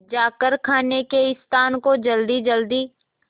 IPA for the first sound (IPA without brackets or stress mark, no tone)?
d͡ʒ